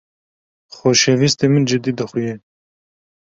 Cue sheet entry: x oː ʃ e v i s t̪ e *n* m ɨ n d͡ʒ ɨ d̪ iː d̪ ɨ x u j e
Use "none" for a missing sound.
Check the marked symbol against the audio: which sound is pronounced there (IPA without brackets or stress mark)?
none